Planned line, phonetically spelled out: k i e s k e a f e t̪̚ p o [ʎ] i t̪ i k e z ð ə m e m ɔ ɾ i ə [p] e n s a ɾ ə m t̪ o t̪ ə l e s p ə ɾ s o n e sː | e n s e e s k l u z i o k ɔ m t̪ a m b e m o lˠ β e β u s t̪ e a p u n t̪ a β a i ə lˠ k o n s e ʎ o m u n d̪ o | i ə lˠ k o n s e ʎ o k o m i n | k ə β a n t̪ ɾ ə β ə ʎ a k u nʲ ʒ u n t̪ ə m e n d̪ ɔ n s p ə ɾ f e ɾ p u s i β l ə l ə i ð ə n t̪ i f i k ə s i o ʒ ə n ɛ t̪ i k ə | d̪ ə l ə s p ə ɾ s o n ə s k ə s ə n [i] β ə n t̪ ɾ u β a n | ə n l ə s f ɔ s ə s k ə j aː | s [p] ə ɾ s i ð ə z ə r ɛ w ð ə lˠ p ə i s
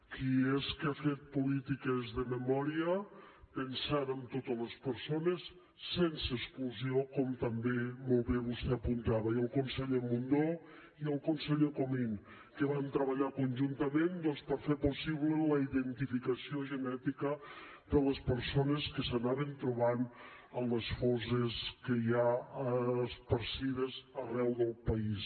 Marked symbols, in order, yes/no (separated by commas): no, yes, no, yes